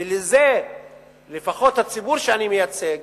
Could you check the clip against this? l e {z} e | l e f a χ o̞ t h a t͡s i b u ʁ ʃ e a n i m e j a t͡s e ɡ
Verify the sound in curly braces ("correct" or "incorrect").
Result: correct